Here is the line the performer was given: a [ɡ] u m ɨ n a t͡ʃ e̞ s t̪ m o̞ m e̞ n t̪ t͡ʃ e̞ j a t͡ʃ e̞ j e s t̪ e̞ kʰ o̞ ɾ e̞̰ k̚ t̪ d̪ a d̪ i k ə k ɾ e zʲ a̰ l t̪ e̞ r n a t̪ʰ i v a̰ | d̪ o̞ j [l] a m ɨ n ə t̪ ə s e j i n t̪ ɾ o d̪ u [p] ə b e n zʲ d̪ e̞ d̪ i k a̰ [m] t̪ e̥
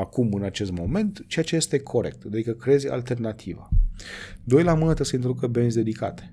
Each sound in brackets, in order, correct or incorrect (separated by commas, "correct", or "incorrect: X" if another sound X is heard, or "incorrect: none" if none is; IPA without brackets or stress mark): incorrect: k, correct, incorrect: k, incorrect: none